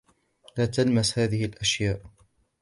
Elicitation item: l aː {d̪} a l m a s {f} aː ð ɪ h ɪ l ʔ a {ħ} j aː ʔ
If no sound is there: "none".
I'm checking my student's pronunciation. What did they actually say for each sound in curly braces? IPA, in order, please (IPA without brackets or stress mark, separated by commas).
t̪, h, ʃ